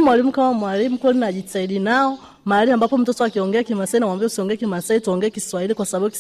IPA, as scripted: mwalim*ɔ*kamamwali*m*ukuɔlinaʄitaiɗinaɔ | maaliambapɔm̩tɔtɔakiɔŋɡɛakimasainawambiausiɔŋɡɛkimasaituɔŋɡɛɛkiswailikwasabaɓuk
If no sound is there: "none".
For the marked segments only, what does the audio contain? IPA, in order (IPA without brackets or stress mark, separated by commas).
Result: u, m